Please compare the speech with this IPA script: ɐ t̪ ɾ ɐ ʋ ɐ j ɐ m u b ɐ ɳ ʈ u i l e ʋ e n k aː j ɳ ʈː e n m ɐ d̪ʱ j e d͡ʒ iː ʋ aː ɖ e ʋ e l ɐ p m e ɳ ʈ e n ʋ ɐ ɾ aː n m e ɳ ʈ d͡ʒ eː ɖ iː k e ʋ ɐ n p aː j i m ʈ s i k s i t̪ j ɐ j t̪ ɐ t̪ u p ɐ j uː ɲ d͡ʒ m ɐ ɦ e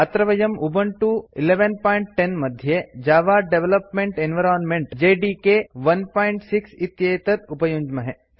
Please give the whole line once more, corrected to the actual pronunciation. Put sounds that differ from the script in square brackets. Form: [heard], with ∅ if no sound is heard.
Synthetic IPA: ɐ t̪ ɾ ɐ ʋ ɐ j ɐ m u b ɐ ɳ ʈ u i l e ʋ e n [p] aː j ɳ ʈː e n m ɐ d̪ʱ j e d͡ʒ [aː] ʋ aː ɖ e ʋ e l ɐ p m e ɳ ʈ e n ʋ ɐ ɾ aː n m e ɳ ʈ d͡ʒ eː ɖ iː k e ʋ ɐ n p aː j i [ɳ] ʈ s i k s i t̪ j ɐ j t̪ ɐ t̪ u p ɐ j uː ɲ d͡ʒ m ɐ ɦ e

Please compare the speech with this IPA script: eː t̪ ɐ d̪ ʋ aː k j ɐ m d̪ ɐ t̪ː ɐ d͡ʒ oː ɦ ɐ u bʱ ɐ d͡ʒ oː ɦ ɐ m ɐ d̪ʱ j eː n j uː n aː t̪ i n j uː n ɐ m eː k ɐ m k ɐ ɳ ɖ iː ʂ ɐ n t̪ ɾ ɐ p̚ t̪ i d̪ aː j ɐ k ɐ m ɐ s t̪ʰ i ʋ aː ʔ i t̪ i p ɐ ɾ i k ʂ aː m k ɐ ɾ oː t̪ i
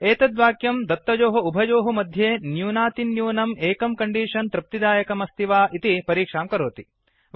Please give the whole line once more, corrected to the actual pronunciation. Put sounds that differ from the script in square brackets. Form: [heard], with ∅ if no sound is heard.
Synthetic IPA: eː t̪ ɐ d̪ ʋ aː k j ɐ m d̪ ɐ t̪ː ɐ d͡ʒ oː ɦ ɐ u bʱ ɐ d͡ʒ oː ɦ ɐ m ɐ d̪ʱ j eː n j uː n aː t̪ i n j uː n ɐ m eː k ɐ m k ɐ ɳ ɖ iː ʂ ɐ n t̪ ɾ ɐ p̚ t̪ i d̪ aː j ɐ k ɐ m ɐ s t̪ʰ i ʋ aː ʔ i t̪ i p ɐ ɾ [iː] k ʂ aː m k ɐ ɾ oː t̪ i

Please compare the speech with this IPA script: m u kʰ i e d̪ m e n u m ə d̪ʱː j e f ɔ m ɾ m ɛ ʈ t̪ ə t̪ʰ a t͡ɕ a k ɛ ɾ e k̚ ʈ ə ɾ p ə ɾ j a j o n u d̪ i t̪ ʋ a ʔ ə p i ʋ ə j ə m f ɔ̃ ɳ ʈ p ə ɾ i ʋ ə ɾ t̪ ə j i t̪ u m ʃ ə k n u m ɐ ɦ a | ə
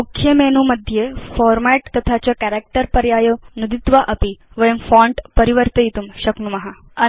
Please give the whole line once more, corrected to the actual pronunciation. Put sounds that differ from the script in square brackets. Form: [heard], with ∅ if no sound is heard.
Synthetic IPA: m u kʰ [j] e [∅] m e n u m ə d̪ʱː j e f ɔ [∅] ɾ m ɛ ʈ t̪ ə t̪ʰ a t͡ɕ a k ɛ ɾ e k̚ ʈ ə ɾ p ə ɾ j a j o n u d̪ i t̪ ʋ a ʔ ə p i ʋ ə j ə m f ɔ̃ ɳ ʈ p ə ɾ i ʋ ə ɾ t̪ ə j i t̪ u m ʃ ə k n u m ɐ ɦ a | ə

